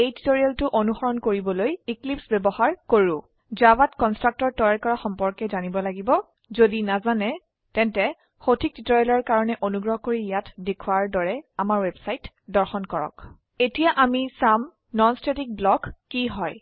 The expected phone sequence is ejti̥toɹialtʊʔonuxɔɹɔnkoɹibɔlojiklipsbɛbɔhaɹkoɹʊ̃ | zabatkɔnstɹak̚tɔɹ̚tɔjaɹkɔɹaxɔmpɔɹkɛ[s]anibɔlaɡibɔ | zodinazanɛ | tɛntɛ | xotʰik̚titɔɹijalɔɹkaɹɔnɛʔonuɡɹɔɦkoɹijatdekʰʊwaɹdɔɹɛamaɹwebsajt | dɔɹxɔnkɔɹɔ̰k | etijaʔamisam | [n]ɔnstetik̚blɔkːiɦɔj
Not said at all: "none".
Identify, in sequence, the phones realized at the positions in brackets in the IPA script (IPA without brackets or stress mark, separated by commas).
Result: z, n